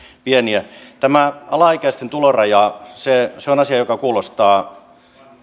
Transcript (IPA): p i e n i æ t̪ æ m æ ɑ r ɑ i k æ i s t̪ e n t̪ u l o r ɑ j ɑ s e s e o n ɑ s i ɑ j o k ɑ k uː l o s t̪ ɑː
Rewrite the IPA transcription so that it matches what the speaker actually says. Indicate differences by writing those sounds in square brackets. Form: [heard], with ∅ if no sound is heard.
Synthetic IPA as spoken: p i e n i æ t̪ æ m æ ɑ [l] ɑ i k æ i s t̪ e n t̪ u l o r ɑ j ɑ s e s e o n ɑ s i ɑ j o k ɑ k uː l o s t̪ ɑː

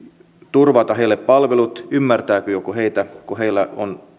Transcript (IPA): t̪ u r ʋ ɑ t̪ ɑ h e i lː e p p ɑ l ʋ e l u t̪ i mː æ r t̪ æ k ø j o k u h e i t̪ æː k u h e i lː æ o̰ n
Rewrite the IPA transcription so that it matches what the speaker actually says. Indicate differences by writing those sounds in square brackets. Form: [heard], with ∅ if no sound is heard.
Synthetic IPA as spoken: t̪ u r ʋ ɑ t̪ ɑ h e i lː e p p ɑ l ʋ e l u t̪ [y] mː æ r t̪ [æː] k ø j o k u h e i t̪ [æ] k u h e i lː æ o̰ n

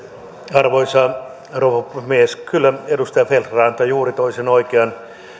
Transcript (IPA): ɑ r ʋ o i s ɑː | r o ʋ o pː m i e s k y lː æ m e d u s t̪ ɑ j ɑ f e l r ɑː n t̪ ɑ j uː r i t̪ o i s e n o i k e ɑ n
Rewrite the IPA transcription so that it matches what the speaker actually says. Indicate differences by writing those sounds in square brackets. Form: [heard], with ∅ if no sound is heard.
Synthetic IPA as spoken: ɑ r ʋ o i s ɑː | r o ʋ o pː m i e s k y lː æ [∅] e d u s t̪ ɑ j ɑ f e l r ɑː n t̪ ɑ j uː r i t̪ o i s e n o i k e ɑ n

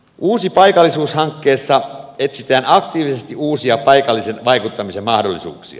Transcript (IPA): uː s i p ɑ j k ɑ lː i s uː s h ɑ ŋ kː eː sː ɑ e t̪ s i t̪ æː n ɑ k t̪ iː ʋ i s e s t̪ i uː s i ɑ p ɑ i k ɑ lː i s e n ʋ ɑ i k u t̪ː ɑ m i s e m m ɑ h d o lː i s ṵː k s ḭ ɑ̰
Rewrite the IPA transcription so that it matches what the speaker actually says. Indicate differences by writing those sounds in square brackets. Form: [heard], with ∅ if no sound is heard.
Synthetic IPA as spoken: uː s i p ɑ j k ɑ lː i s uː s h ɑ ŋ kː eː sː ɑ e t̪ s i t̪ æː n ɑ k t̪ iː ʋ i s e s t̪ i uː s i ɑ p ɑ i k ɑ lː i s e n ʋ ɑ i k u t̪ː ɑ m i s e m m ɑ h d o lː i s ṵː k s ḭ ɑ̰

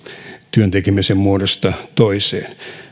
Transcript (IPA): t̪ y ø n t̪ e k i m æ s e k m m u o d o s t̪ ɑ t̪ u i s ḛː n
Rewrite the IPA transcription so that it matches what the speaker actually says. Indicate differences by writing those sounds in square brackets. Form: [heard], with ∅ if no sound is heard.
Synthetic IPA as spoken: t̪ y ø n t̪ e k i m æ s e [∅] m m u o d o s t̪ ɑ t̪ [o] i s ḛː n

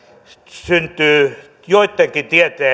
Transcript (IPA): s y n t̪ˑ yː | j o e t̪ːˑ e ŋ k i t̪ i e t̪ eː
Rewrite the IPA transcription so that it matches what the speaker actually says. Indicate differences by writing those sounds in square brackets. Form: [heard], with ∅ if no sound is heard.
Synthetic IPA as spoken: s y n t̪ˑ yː | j o [i] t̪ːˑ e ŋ k i t̪ i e t̪ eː

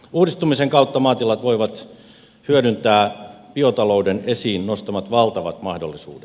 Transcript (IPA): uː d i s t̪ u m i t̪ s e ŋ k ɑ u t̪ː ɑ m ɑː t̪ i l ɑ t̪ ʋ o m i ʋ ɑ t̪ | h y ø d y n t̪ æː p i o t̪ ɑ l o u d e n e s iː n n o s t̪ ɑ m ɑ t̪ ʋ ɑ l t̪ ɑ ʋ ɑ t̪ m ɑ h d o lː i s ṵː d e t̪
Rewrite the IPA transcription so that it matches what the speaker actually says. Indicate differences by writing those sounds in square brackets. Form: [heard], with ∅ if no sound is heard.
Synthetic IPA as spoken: uː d i s t̪ u m i [∅] s e ŋ k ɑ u t̪ː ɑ m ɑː t̪ i l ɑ t̪ ʋ o [∅] i ʋ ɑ t̪ | h y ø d y n t̪ æː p i o t̪ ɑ l o u d e n e s iː n n o s t̪ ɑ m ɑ t̪ ʋ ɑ l t̪ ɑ ʋ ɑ t̪ m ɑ h d o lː i s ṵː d e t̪

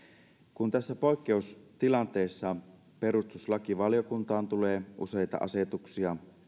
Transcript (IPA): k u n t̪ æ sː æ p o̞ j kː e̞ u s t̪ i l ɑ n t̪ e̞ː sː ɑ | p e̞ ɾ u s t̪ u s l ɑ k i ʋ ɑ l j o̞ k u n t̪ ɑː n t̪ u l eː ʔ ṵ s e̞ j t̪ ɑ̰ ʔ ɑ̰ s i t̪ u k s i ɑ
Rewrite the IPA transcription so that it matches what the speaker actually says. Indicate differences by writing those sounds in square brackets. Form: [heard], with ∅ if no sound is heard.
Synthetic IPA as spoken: k u n t̪ æ sː æ p o̞ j kː e̞ u s t̪ i l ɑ n t̪ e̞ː sː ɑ | p e̞ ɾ u s t̪ u s l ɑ k i ʋ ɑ l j o̞ k u n t̪ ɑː n t̪ u l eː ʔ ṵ s e̞ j t̪ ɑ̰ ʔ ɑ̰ s [e] t̪ u k s i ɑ

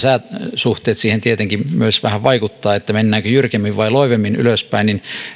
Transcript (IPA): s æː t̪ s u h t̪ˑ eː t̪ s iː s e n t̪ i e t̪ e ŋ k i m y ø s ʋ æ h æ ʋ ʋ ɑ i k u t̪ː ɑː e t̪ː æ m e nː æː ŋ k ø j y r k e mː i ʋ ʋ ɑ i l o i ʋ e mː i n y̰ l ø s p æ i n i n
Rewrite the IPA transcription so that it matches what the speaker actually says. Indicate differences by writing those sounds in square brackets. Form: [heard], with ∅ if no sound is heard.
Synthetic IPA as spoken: s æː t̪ s u h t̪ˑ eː t̪ s iː [h] e n t̪ i e t̪ e ŋ k i m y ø s ʋ æ h æ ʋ ʋ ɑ i k u t̪ː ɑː e t̪ː æ m e nː æː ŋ k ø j y r k e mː i ʋ ʋ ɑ i l o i ʋ e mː i n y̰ l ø s p æ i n i n

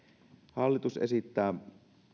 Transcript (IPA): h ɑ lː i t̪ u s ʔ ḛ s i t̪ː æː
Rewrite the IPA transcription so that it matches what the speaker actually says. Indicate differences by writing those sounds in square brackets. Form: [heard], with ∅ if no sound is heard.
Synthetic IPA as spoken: h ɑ lː i t̪ u s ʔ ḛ s i t̪ː æː

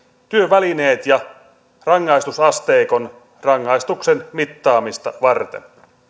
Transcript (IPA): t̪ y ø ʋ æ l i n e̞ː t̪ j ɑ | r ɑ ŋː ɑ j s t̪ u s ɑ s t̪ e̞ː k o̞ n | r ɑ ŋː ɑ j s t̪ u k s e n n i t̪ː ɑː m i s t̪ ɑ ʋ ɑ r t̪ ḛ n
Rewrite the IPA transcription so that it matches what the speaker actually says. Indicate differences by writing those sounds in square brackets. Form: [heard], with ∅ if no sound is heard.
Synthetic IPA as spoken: t̪ y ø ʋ æ l i n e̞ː t̪ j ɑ | r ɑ ŋː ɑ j s t̪ u s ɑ s t̪ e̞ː k o̞ n | r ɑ ŋː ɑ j s t̪ u k s e n [m] i t̪ː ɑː m i s t̪ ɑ ʋ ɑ r t̪ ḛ n

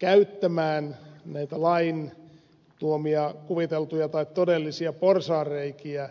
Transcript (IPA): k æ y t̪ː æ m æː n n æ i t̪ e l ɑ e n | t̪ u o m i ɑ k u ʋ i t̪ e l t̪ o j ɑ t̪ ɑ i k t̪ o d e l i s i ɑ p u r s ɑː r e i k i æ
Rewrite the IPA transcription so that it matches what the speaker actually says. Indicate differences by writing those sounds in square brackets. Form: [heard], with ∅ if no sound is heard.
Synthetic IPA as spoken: k æ y t̪ː æ m æː n n æ i t̪ [æ] l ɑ [i] n | t̪ u o m i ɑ k u ʋ i t̪ e l t̪ [u] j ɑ t̪ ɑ i k t̪ o d e [lː] i s i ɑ p [o] r s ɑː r e i k i æ

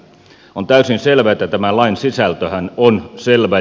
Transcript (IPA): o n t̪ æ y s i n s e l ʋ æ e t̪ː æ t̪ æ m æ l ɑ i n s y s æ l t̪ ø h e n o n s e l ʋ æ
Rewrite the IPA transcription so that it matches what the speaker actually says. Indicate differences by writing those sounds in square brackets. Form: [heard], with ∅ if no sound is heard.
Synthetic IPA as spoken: o n t̪ æ y s i n s e l ʋ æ e t̪ː æ t̪ æ m æ l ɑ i n s [i] s æ l t̪ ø h [æ] n o n s e l ʋ æ

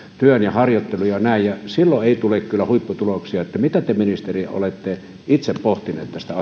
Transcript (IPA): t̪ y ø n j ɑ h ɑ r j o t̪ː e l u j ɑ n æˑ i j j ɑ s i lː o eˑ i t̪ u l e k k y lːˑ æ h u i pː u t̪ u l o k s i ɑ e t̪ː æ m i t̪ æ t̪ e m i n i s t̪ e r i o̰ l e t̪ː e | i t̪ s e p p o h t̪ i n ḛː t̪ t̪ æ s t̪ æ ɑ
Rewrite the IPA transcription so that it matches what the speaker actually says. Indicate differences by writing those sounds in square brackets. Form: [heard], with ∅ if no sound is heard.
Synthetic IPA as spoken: t̪ y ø n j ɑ h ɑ r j o t̪ː e l u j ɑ n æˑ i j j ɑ s i lː o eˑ i t̪ u l e k k y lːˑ æ h u i pː u t̪ u l o k s i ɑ e t̪ː æ m i t̪ æ t̪ e m i n i s t̪ e r i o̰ l e t̪ː e | i t̪ s e p p o h t̪ i n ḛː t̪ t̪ æ s t̪ æ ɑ

